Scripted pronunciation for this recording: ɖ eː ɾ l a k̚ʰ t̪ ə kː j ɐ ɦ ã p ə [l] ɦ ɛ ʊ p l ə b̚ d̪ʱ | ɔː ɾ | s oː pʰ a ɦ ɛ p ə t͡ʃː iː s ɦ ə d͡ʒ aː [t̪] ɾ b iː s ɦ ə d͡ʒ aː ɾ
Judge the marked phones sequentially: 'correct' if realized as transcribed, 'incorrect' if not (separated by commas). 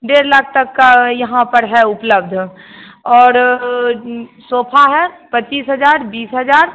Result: incorrect, incorrect